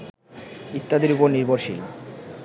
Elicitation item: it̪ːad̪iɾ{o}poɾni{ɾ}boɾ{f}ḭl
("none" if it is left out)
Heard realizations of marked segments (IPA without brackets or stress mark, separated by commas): u, ɾ, ʃ